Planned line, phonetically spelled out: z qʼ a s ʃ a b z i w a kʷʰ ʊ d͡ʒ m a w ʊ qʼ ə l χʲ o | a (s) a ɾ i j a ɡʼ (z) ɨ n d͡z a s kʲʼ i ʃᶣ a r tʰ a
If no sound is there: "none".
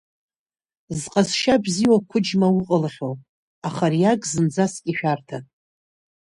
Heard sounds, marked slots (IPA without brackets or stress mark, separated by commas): χ, z